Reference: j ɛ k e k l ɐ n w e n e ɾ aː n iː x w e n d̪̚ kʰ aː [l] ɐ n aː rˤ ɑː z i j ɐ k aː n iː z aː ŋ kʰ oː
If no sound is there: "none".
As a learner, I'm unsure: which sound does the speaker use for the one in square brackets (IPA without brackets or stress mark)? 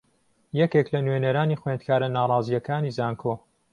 ɾ